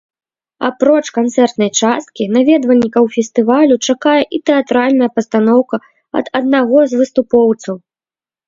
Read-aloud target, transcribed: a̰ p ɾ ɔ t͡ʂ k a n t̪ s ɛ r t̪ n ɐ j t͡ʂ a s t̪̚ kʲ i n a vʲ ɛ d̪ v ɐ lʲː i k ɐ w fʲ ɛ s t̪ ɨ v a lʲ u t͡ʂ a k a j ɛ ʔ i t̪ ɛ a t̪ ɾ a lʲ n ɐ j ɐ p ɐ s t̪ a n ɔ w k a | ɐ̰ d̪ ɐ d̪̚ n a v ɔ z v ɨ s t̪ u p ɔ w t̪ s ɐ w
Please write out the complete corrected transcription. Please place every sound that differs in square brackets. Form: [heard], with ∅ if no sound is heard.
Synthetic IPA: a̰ p ɾ ɔ t͡ʂ k a n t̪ s ɛ r t̪ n ɐ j t͡ʂ a s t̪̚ kʲ i n a vʲ ɛ d̪ v ɐ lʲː i k ɐ w fʲ ɛ s t̪ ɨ v a lʲ u t͡ʂ a k a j ɛ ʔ i t̪ ɛ a t̪ ɾ a lʲ n ɐ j ɐ p ɐ s t̪ a n ɔ w k [ɐ] | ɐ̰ d̪ ɐ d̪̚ n a [ɣ] ɔ z v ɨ s t̪ u p ɔ w t̪ s ɐ w

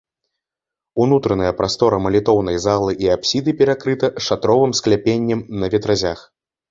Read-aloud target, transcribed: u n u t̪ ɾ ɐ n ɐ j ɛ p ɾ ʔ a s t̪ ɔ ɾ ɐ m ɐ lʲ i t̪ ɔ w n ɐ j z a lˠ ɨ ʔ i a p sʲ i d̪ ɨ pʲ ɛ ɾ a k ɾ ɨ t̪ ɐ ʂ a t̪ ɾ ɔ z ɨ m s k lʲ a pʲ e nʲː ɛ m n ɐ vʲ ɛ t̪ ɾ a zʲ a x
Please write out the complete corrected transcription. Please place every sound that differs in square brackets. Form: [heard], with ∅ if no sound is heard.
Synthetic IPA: u n u t̪ ɾ ɐ n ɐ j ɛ p ɾ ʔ a s t̪ ɔ ɾ ɐ m ɐ lʲ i t̪ ɔ w n ɐ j z a lˠ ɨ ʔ i a p sʲ i d̪ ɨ pʲ ɛ ɾ a k ɾ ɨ t̪ ɐ ʂ a t̪ ɾ ɔ [v] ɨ m s k lʲ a pʲ e nʲː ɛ m n ɐ vʲ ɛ t̪ ɾ a zʲ a x

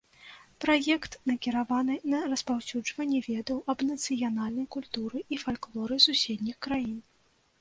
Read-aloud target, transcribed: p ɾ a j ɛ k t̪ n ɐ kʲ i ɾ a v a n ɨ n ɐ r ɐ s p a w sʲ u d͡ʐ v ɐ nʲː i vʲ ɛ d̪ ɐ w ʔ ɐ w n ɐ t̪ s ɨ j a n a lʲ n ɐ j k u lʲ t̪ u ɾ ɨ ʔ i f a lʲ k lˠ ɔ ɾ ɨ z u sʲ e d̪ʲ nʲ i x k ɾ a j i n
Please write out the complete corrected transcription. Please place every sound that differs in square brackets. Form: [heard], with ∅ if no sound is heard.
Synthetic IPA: p ɾ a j ɛ k t̪ n ɐ kʲ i ɾ a v a n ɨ n ɐ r ɐ s p a w sʲ u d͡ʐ v ɐ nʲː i vʲ ɛ d̪ ɐ w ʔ ɐ [b] n ɐ t̪ s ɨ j a n a lʲ n ɐ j k u lʲ t̪ u ɾ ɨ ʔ i f a lʲ k lˠ ɔ ɾ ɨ [s] u sʲ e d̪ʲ nʲ i x k ɾ a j i n

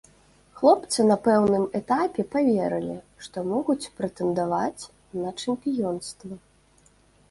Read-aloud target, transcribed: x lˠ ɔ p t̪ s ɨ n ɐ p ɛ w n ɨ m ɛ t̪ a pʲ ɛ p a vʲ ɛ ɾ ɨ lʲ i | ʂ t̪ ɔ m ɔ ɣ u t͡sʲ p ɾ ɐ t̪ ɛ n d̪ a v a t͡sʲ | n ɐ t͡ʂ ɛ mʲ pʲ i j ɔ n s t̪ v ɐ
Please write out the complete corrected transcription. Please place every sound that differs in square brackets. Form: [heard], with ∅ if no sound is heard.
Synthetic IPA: x lˠ ɔ p t̪ s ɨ n ɐ p ɛ w n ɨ m ɛ t̪ a pʲ ɛ p a vʲ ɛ ɾ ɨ lʲ i | ʂ t̪ ɔ m ɔ ɣ u t͡sʲ p ɾ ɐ t̪ ɛ n d̪ a v a t͡sʲ | n ɐ t͡ʂ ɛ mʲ pʲ i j ɔ n s t̪ v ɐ

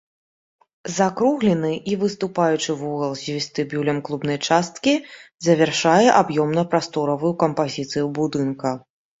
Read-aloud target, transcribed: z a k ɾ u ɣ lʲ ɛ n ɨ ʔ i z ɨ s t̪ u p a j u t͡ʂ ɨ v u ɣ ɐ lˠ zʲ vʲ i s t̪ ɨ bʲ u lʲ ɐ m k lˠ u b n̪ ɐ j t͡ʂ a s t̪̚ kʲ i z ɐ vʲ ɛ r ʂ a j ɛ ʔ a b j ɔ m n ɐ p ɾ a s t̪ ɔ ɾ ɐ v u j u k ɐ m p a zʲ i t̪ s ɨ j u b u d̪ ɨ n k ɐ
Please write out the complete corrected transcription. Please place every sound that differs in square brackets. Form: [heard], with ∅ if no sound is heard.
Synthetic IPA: z a k ɾ u ɣ lʲ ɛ n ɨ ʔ i [v] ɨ s t̪ u p a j u t͡ʂ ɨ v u ɣ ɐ lˠ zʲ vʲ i s t̪ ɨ bʲ u lʲ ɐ m k lˠ u b n̪ ɐ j t͡ʂ a s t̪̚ kʲ i z ɐ vʲ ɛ r ʂ a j ɛ ʔ a b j ɔ m n ɐ p ɾ a s t̪ ɔ ɾ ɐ v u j u k ɐ m p a zʲ i t̪ s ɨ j u b u d̪ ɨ n k ɐ

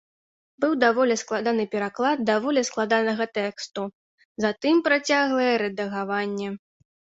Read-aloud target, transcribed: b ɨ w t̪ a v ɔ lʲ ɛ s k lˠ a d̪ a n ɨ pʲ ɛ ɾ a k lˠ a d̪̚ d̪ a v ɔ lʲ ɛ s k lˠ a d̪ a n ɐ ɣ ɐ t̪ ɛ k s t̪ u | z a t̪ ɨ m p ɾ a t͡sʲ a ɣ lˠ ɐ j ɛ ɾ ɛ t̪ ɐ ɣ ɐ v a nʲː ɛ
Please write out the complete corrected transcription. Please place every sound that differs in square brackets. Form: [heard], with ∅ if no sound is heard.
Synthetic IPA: b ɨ w [d̪] a v ɔ lʲ ɛ s k lˠ a d̪ a n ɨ pʲ ɛ ɾ a k lˠ a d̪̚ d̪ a v ɔ lʲ ɛ s k lˠ a d̪ a n ɐ ɣ ɐ t̪ ɛ k s t̪ u | z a t̪ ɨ m p ɾ a t͡sʲ a ɣ lˠ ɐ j ɛ ɾ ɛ [d̪] ɐ ɣ [a] v a nʲː ɛ

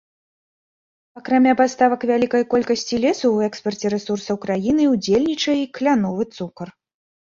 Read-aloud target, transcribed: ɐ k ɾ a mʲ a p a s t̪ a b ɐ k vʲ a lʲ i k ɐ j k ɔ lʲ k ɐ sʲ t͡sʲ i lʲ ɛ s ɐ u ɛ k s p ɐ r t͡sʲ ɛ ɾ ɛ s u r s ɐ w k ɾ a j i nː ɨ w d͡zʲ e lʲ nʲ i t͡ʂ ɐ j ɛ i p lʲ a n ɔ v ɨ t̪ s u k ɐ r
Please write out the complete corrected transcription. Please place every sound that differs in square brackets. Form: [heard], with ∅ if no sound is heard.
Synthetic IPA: ɐ k ɾ a mʲ a p a s t̪ a [v] ɐ k vʲ a lʲ i k ɐ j k ɔ lʲ k ɐ sʲ t͡sʲ i lʲ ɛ s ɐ [w] ɛ k s p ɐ r t͡sʲ ɛ ɾ ɛ s u r s ɐ w k ɾ a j i [n] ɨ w d͡zʲ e lʲ nʲ i t͡ʂ ɐ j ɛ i [k] lʲ a n ɔ v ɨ t̪ s u k ɐ r

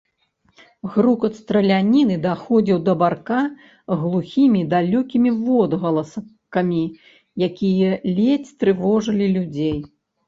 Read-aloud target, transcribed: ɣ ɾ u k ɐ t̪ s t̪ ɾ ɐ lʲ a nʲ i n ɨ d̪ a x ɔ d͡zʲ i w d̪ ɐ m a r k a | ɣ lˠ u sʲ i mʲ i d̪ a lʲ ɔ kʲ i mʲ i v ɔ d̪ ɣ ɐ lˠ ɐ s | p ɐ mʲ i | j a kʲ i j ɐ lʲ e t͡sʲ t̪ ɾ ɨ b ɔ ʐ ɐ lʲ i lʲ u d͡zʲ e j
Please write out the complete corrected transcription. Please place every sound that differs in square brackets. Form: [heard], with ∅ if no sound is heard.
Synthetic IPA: ɣ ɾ u k ɐ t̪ s t̪ ɾ ɐ lʲ a nʲ i n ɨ d̪ a x ɔ d͡zʲ i w d̪ ɐ [b] a r k a | ɣ lˠ u [xʲ] i mʲ i d̪ a lʲ ɔ kʲ i mʲ i v ɔ d̪ ɣ ɐ lˠ ɐ s | [k] ɐ mʲ i | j a kʲ i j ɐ lʲ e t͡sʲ t̪ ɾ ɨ [v] ɔ ʐ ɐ lʲ i lʲ u d͡zʲ e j

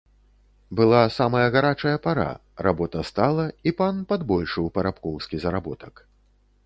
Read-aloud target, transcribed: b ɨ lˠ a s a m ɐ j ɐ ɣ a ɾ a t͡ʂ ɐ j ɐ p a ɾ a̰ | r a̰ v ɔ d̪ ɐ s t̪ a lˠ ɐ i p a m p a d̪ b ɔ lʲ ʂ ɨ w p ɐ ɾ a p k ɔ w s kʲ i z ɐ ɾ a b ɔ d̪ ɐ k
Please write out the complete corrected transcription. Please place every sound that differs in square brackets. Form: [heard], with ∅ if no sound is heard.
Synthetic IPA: b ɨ lˠ a s a m ɐ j ɐ ɣ a ɾ a t͡ʂ ɐ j ɐ p a ɾ a̰ | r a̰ [b] ɔ [t̪] ɐ s t̪ a lˠ ɐ i p a [n] p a d̪ b ɔ lʲ ʂ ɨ w p ɐ ɾ a p k ɔ w s kʲ i z ɐ ɾ a b ɔ [t̪] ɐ k

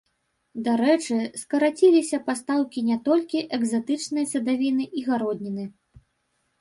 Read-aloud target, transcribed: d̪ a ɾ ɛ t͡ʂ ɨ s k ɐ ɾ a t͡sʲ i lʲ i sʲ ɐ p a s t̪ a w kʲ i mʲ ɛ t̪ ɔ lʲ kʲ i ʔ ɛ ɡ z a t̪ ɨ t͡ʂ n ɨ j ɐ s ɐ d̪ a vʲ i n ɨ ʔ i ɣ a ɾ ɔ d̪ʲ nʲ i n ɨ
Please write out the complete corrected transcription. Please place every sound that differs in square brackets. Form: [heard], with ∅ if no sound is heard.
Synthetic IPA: d̪ a ɾ ɛ t͡ʂ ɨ s k ɐ ɾ a t͡sʲ i lʲ i sʲ ɐ p a s t̪ a w kʲ i [nʲ] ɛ t̪ ɔ lʲ kʲ i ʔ ɛ ɡ z a t̪ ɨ t͡ʂ n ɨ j ɐ s ɐ d̪ a vʲ i n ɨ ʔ i ɣ a ɾ ɔ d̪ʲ nʲ i n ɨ

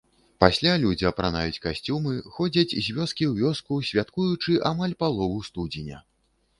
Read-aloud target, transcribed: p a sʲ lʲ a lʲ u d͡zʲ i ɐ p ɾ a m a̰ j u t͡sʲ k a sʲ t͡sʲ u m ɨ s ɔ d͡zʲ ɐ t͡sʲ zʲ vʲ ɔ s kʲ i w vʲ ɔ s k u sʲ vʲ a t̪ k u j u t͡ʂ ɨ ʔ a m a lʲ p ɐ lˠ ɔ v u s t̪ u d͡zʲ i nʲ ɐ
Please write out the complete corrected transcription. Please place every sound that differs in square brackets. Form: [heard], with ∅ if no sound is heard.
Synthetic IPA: p a sʲ lʲ a lʲ u d͡zʲ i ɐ p ɾ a [n] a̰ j u t͡sʲ k a sʲ t͡sʲ u m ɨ [x] ɔ d͡zʲ ɐ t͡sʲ zʲ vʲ ɔ s kʲ i w vʲ ɔ s k u sʲ vʲ a t̪ k u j u t͡ʂ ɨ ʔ a m a lʲ p [a] lˠ ɔ v u s t̪ u d͡zʲ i nʲ ɐ

